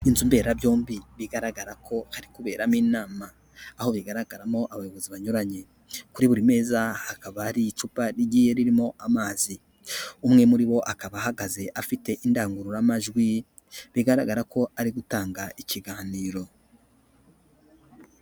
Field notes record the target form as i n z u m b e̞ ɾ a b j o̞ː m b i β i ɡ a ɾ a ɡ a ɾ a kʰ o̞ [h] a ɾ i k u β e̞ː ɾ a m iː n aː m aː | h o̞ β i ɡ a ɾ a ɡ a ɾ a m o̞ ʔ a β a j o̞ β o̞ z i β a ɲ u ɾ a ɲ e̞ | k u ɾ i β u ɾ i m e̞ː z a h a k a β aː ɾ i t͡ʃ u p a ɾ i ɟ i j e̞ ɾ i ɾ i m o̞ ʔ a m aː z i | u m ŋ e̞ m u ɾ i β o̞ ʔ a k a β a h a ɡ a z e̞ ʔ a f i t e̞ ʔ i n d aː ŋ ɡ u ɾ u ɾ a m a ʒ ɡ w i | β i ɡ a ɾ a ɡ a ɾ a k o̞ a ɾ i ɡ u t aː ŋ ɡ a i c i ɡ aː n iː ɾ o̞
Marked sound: correct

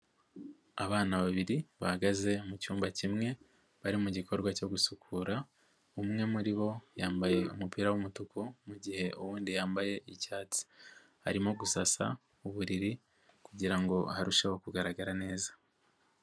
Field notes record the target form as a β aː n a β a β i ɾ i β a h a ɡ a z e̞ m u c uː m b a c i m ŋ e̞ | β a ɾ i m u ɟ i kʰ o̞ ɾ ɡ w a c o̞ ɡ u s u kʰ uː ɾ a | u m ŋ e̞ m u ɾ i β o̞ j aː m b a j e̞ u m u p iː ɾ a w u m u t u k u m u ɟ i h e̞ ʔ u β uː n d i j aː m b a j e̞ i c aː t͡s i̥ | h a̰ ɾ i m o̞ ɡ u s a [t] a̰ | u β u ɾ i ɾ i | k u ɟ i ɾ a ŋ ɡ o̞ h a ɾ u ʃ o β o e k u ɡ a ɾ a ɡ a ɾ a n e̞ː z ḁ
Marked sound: incorrect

